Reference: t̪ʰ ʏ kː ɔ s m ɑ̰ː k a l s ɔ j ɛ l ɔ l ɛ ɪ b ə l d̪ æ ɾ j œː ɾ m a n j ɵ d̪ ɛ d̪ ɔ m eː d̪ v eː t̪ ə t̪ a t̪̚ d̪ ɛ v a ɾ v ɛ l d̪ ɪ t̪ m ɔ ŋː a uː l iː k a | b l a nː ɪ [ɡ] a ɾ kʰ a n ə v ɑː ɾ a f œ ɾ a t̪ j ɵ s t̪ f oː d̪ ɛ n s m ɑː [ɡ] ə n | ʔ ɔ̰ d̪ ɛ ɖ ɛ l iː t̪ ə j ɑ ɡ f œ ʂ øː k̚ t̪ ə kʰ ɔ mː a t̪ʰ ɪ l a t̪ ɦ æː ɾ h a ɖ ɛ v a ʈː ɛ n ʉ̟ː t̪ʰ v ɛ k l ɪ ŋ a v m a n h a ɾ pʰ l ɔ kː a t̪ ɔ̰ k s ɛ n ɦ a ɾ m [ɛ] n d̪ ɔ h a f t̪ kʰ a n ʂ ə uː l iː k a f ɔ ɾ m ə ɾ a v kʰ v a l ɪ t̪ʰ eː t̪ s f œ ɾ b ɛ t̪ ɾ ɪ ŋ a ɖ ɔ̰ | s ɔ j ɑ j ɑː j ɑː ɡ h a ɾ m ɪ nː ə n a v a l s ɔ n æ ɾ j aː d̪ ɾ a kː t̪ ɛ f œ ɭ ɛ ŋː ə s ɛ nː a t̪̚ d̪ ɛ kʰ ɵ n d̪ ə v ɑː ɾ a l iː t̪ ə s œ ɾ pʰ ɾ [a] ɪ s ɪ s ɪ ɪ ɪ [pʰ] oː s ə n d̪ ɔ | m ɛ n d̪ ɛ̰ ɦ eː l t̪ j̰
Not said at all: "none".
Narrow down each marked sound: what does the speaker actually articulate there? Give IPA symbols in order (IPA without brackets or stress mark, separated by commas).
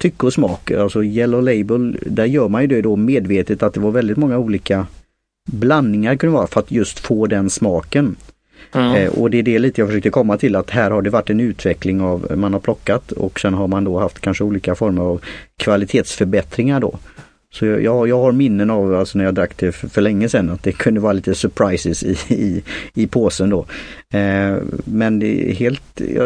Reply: ŋ, k, a, a, pʰ